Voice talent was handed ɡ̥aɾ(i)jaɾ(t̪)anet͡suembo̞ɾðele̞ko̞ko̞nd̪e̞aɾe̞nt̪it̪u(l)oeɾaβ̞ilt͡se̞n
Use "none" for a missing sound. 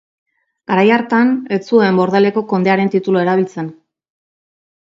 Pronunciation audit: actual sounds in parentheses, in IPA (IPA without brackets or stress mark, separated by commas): a, t̪, l